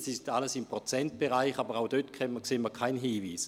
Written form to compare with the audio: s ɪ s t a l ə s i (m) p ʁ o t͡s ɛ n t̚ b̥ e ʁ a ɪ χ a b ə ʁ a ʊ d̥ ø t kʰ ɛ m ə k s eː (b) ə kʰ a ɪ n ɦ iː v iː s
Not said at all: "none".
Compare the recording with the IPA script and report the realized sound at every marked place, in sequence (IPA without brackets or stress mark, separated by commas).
m, m